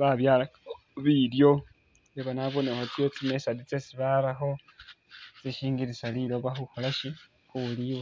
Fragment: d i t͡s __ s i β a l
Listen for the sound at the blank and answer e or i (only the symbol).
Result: e